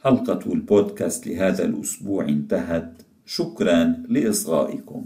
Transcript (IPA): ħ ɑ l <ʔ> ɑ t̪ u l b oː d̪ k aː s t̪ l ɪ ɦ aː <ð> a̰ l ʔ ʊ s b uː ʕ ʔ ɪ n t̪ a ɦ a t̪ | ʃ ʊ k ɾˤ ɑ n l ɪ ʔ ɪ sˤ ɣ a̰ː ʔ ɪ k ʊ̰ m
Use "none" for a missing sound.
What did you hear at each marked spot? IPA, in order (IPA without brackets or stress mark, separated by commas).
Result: q, ð